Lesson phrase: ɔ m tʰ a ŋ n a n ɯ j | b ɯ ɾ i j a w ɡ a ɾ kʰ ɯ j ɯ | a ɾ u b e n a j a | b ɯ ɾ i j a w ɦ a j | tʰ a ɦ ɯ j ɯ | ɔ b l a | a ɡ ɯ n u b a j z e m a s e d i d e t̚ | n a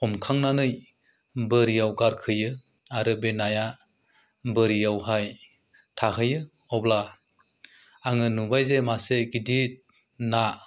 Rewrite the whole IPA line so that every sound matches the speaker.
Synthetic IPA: ɔ m kʰ a ŋ n a n ɯ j | b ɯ ɾ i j a w ɡ a ɾ kʰ ɯ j ɯ | a ɾ ɯ b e n a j a | b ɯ ɾ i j a w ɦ a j | tʰ a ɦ ɯ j ɯ | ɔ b l a | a ŋ ɯ n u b a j z e m a s e ɡ i d i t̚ | n a